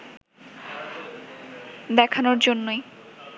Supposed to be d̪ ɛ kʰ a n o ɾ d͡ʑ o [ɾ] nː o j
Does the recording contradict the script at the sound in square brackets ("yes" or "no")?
yes